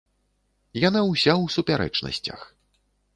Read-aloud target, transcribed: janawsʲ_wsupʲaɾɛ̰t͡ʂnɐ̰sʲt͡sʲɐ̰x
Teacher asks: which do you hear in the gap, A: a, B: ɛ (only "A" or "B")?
A